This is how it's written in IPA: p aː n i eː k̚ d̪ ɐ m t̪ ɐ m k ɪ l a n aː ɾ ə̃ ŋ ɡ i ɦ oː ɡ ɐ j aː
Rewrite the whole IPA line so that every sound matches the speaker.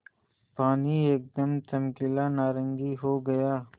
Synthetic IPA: p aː n i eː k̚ d̪ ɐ m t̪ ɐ m k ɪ l a n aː ɾ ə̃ ŋ ɡ i ɦ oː ɡ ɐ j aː